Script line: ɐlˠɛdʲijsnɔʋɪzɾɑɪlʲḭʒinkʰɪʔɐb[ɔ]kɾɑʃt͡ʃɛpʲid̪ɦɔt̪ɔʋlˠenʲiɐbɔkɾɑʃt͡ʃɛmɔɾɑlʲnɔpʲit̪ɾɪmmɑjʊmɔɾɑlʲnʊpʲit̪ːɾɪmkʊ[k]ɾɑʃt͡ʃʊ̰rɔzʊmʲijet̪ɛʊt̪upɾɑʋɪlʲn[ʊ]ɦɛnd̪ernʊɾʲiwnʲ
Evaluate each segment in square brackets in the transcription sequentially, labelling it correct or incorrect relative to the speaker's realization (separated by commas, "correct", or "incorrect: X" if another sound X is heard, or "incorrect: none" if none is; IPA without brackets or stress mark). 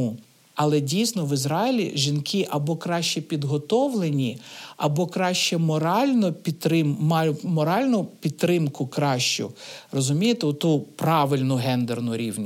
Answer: correct, correct, correct